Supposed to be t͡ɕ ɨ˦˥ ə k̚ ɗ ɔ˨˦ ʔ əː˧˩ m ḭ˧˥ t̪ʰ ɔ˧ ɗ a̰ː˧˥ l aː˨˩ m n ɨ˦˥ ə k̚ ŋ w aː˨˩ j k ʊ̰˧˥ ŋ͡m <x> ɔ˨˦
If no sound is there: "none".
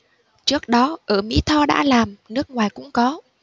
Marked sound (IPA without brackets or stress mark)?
k